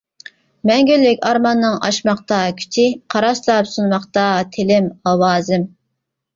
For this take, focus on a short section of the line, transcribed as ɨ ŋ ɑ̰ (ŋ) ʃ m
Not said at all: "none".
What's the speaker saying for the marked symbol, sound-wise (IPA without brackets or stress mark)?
none